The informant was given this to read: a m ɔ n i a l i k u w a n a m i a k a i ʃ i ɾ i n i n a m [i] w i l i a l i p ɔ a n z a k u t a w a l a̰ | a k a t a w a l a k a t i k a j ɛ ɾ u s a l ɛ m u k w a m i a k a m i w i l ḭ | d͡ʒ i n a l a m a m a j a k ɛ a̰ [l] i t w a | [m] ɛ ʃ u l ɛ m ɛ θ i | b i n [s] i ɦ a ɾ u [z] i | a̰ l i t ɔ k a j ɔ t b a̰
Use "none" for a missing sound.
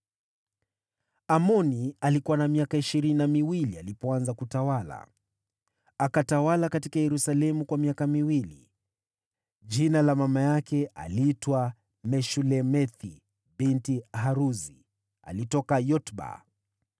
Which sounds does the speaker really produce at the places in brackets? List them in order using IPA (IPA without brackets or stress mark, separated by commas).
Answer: i, l, m, t, z